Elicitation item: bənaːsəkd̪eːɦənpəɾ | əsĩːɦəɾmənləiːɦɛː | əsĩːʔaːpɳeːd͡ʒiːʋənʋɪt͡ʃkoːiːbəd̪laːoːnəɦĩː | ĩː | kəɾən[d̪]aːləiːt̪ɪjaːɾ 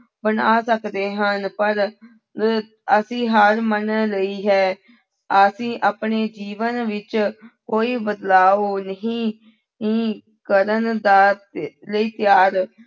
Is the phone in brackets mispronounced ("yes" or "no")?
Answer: no